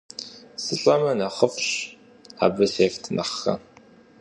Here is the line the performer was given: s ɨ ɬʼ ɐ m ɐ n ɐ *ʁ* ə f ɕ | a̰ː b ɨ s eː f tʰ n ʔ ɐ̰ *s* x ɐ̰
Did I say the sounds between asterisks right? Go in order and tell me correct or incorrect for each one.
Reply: incorrect, incorrect

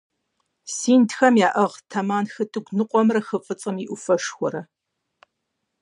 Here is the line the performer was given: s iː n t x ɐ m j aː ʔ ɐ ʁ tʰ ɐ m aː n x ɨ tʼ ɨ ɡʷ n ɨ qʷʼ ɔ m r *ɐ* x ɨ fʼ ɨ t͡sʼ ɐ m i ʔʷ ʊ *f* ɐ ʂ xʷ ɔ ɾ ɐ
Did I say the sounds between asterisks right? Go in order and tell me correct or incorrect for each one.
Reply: correct, correct

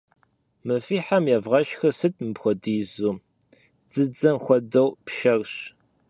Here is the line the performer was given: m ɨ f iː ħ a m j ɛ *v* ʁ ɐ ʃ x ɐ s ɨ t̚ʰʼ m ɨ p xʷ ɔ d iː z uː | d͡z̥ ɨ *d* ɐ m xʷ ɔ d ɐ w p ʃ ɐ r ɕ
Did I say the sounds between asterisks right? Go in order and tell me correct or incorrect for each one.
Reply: correct, incorrect

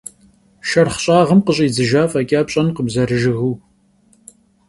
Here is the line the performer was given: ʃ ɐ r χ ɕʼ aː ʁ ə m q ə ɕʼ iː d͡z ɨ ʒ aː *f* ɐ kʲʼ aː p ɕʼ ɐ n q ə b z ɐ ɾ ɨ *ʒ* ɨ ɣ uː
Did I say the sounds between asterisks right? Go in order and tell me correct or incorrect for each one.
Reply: correct, correct

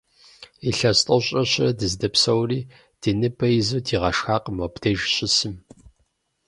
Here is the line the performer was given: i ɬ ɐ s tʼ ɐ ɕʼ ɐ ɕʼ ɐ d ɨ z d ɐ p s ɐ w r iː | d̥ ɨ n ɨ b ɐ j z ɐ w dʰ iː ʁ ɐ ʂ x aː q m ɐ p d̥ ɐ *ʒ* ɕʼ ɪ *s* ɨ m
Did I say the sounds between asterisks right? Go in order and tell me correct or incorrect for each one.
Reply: correct, correct

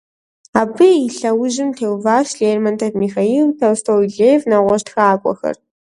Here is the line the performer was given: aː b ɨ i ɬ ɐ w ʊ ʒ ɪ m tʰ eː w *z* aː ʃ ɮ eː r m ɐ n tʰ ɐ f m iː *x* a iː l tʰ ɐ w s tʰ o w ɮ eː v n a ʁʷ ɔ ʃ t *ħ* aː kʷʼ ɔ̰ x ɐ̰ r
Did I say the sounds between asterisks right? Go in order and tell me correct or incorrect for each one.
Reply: incorrect, correct, incorrect

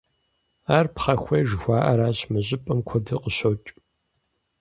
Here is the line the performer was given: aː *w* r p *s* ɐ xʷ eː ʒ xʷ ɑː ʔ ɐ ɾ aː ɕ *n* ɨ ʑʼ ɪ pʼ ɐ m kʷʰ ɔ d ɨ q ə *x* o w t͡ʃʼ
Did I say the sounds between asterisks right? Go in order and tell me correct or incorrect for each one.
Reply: incorrect, incorrect, incorrect, incorrect

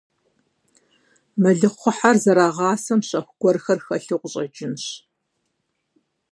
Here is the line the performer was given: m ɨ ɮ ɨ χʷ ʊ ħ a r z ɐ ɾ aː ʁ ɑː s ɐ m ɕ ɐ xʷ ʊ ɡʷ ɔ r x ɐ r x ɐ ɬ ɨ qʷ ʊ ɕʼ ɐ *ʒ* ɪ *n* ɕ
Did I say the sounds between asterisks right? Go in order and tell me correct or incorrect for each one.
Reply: incorrect, correct

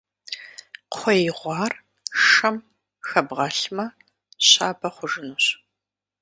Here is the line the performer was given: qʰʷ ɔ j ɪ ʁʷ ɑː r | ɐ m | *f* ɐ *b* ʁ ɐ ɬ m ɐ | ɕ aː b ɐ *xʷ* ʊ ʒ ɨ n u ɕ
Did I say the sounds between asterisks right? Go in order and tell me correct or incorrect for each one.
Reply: incorrect, correct, incorrect

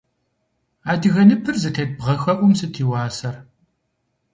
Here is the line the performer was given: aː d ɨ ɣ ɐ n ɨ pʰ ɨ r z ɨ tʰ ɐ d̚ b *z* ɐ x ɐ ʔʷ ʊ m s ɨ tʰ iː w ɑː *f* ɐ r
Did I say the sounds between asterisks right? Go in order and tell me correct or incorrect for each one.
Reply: incorrect, incorrect

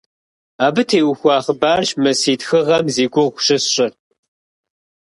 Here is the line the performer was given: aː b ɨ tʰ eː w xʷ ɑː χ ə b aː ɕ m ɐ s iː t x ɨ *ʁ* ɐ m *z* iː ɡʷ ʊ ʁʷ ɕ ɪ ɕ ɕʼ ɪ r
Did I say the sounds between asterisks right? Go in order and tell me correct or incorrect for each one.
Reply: correct, correct

